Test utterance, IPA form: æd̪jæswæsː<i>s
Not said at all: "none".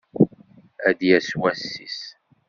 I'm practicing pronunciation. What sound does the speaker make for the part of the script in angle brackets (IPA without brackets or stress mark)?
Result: i